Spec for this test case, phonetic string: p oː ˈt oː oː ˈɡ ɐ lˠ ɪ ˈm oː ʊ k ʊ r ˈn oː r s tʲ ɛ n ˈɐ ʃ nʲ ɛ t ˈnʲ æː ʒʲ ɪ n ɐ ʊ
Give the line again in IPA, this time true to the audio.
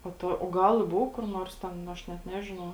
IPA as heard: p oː ˈt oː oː ˈɡ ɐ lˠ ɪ ˈb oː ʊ k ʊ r ˈn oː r s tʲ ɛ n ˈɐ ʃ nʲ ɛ t ˈnʲ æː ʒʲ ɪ n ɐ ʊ